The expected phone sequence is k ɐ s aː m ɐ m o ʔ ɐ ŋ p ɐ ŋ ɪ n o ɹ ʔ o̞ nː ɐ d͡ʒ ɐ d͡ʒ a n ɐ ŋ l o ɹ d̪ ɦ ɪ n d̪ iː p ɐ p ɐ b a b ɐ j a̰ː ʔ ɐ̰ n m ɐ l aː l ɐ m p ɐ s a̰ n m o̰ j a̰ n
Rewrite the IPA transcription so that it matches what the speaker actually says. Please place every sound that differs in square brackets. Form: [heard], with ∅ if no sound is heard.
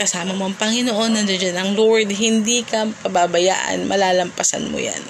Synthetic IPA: k ɐ s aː m ɐ m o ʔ ɐ ŋ p ɐ ŋ ɪ n o [∅] ʔ o̞ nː ɐ d͡ʒ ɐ d͡ʒ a n ɐ ŋ l o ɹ d̪ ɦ ɪ n d̪ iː [k] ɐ p ɐ b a b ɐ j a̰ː ʔ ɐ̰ n m ɐ l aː l ɐ m p ɐ s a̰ n m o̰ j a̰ n